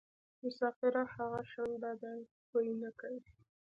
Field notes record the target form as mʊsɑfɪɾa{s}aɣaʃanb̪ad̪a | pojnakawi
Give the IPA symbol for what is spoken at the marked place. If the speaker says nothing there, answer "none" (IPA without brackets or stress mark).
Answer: h